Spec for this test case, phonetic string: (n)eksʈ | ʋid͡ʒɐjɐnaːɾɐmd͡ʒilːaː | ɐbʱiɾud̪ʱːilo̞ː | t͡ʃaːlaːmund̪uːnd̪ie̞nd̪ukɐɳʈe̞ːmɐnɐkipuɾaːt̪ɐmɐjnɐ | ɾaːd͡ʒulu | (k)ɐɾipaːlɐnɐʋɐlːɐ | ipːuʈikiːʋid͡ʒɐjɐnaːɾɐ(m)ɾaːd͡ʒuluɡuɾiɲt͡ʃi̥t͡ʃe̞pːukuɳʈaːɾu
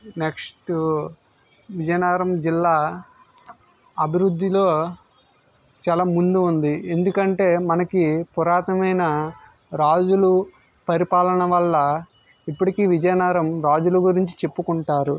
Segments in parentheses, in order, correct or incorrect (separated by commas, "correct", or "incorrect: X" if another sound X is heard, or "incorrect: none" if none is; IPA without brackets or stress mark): correct, incorrect: p, correct